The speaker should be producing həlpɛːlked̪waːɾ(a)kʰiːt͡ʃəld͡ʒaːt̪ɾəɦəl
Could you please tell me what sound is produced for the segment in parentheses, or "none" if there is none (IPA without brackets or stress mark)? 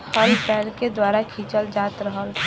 a